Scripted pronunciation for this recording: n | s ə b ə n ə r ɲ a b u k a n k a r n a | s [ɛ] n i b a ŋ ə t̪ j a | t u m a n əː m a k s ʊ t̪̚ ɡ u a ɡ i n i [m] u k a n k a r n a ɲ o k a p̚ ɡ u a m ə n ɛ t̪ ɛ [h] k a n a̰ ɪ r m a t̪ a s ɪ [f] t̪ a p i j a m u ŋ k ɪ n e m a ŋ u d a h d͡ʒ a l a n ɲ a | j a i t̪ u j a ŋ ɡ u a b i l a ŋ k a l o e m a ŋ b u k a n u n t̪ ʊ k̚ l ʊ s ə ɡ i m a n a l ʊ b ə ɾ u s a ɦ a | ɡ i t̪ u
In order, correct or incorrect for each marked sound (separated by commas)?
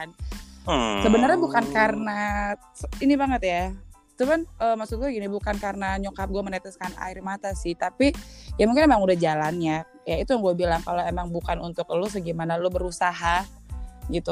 incorrect, incorrect, incorrect, incorrect